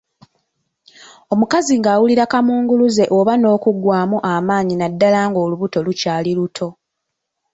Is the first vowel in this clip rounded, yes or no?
yes